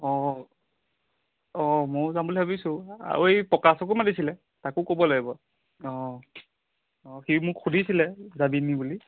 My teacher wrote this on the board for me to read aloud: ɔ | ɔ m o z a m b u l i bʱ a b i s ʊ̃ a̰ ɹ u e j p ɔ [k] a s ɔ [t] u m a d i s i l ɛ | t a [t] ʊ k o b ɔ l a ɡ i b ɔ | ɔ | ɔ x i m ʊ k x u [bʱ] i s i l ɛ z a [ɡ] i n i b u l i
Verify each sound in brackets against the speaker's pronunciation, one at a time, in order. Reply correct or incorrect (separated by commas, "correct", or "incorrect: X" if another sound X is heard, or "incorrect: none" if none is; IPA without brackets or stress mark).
correct, incorrect: k, incorrect: k, incorrect: dʱ, incorrect: b